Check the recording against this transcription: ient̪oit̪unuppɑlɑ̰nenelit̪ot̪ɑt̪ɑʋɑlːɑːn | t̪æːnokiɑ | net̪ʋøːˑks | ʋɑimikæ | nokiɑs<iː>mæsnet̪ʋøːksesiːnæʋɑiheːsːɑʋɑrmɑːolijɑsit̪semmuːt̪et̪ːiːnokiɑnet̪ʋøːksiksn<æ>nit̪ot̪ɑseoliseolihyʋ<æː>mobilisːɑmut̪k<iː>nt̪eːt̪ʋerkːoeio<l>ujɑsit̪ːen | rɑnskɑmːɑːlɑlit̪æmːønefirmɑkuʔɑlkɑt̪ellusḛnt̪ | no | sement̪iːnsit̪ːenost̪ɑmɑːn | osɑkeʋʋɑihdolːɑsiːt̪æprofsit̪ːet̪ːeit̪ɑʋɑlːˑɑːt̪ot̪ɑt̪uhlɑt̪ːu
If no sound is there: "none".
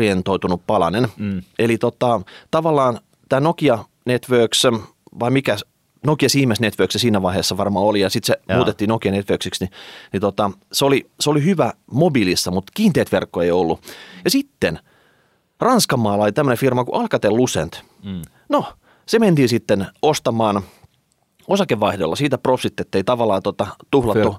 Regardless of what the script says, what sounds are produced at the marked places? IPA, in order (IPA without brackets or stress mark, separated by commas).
iː, i, æ, iː, lː